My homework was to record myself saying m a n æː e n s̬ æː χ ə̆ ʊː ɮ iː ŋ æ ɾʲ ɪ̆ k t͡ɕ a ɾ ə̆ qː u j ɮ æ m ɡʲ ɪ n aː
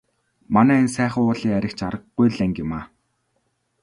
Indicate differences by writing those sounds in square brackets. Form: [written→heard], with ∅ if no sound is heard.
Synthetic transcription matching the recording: m a n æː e n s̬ æː χ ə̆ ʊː ɮ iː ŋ æ ɾʲ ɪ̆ k t͡ɕ a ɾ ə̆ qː u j ɮ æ [m→ŋ] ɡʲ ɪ [n→m] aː